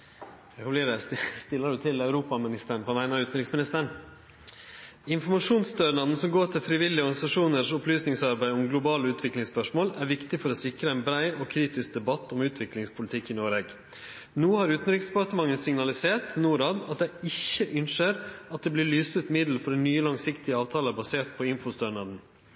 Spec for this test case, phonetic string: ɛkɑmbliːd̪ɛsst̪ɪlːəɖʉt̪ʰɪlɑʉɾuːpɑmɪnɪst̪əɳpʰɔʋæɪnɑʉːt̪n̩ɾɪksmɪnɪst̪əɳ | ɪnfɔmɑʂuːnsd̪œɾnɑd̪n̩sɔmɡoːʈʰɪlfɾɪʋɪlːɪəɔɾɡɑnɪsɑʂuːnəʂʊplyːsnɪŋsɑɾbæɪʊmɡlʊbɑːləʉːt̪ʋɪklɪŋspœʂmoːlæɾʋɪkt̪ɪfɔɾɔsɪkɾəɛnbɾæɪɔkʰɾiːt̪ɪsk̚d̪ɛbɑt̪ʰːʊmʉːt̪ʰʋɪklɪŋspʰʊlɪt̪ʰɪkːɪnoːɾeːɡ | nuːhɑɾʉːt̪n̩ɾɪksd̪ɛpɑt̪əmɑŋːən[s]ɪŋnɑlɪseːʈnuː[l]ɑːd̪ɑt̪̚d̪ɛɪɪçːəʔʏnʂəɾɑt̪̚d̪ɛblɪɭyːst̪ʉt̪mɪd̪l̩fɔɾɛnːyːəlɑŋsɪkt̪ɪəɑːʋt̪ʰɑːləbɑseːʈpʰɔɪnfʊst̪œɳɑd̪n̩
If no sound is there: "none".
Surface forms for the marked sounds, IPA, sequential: s, ɾ

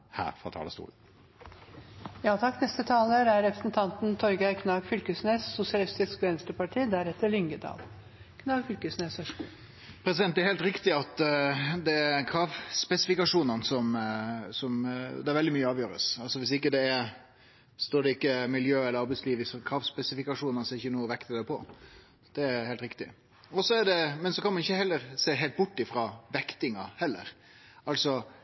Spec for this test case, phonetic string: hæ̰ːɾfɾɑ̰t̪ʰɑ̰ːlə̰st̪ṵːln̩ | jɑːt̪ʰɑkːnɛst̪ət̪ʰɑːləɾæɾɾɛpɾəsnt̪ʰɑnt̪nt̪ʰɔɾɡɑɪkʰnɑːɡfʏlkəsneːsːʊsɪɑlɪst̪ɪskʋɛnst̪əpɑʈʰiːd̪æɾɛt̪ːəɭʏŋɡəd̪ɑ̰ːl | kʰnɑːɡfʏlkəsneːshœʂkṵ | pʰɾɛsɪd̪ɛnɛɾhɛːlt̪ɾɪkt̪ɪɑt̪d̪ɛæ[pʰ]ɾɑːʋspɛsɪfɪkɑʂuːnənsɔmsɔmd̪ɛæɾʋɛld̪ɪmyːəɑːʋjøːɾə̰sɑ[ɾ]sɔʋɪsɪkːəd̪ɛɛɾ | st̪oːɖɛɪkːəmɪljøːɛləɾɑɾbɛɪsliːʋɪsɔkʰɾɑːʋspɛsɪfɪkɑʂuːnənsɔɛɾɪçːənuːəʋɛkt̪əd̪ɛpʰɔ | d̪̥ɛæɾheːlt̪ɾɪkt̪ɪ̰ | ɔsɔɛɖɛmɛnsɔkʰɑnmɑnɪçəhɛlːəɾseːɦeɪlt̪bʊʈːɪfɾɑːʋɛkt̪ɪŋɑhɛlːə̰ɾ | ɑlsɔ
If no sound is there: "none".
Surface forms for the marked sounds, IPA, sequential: kʰ, l

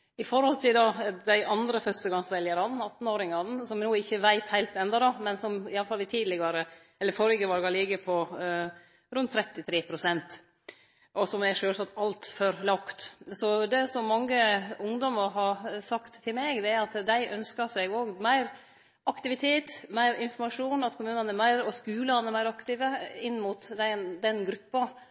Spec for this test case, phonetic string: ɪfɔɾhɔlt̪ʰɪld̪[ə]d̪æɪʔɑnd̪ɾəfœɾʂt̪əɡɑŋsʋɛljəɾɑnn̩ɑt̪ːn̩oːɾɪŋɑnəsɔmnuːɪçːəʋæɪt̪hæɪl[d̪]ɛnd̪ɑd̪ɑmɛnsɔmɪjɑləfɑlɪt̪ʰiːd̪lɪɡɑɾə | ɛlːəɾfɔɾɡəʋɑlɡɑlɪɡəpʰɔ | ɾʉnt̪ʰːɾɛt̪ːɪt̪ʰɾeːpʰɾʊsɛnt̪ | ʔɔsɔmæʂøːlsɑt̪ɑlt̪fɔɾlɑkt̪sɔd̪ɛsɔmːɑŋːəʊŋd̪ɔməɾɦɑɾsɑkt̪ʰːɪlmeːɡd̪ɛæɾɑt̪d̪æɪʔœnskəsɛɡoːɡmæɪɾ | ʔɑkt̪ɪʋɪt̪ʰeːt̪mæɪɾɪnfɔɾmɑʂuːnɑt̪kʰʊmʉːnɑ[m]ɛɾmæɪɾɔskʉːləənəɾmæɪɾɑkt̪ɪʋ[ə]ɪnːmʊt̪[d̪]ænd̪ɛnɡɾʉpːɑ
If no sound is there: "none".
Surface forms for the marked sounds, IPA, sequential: ɑ, t̪, n, ə, d̪

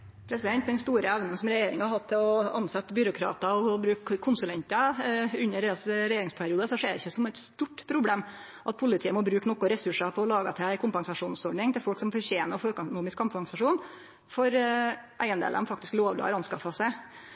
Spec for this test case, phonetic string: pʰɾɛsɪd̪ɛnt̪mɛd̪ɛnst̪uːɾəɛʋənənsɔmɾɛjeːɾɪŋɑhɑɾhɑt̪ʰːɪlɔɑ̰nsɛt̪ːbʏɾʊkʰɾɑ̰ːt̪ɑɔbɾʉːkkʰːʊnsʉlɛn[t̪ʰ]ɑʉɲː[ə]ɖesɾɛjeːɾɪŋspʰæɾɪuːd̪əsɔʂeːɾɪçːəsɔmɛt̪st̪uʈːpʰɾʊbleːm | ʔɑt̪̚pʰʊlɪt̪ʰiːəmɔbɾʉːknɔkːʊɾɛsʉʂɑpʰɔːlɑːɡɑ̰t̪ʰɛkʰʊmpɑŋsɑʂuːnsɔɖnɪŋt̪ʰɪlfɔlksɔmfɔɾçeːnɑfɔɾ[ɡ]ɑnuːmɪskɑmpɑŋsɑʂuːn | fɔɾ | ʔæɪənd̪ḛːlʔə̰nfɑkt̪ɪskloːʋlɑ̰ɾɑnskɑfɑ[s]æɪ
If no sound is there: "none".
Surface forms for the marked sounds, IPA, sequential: t̪, ə, k, s

